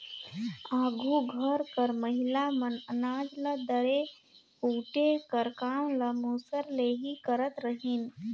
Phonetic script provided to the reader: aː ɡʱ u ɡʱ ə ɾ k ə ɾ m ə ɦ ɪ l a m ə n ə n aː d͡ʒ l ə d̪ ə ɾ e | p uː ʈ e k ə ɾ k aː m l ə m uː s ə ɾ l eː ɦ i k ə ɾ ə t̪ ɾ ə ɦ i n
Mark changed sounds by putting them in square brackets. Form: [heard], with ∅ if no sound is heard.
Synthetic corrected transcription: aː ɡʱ u ɡʱ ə ɾ k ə ɾ m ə ɦ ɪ l a m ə n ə n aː d͡ʒ l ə d̪ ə ɾ e | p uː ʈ e k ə ɾ k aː m l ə m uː s ə ɾ l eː ɦ i k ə ɾ ə t̪ ɾ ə ɦ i n